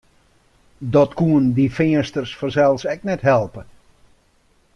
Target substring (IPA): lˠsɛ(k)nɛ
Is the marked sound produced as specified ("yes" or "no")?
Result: yes